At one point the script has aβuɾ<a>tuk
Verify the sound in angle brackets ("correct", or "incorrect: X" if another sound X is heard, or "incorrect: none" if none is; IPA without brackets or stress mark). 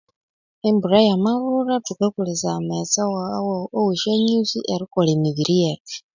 correct